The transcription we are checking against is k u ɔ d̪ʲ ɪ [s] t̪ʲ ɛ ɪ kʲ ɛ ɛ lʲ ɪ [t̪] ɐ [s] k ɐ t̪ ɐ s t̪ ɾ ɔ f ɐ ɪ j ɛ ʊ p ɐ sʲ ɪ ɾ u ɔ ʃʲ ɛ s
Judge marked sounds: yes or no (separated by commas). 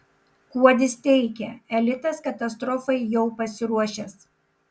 yes, yes, yes